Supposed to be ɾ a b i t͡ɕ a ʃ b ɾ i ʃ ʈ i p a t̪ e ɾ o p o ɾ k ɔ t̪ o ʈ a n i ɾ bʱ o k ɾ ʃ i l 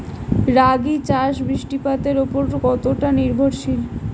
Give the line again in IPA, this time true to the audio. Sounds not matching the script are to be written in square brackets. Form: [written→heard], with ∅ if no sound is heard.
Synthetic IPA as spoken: ɾ a [b→ɡ] i t͡ɕ a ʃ b ɾ i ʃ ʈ i p a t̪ e ɾ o p o ɾ k ɔ t̪ o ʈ a n i ɾ bʱ o [k→∅] ɾ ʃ i l